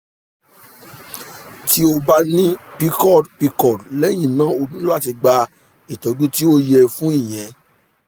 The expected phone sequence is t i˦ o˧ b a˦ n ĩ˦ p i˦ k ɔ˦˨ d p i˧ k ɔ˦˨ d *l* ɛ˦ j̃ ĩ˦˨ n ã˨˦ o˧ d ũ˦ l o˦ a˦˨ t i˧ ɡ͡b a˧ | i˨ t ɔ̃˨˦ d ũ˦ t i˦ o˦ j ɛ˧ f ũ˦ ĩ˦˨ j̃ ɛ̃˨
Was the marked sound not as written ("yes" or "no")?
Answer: no